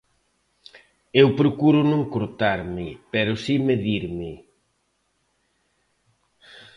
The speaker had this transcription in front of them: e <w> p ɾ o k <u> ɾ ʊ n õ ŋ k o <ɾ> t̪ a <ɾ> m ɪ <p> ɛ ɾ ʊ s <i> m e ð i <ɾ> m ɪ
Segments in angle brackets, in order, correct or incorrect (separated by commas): correct, correct, correct, correct, correct, correct, correct